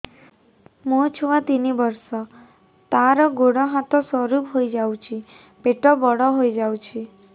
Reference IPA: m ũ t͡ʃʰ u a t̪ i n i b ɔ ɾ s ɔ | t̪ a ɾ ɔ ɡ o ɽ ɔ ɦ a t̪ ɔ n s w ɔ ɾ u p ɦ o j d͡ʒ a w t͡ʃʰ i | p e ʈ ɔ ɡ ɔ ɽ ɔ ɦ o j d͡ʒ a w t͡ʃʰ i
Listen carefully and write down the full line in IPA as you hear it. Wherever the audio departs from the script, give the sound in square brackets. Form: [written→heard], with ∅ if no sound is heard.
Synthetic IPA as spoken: m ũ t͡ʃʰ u a t̪ i n i b ɔ ɾ s ɔ | t̪ a ɾ ɔ ɡ o ɽ ɔ ɦ a t̪ ɔ [n→∅] s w ɔ ɾ u p ɦ o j d͡ʒ a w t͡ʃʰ i | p e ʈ ɔ [ɡ→b] ɔ ɽ ɔ ɦ o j d͡ʒ a w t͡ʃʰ i